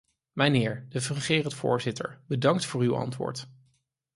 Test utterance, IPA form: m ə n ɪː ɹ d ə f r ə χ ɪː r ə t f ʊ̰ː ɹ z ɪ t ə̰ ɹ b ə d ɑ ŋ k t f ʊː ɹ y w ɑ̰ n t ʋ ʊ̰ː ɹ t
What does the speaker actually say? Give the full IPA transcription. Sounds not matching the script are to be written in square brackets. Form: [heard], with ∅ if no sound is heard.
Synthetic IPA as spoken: m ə n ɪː ɹ d ə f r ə χ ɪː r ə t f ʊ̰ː ɹ z ɪ t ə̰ ɹ b ə d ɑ ŋ k t f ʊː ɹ y w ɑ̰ n t ʋ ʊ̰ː ɹ t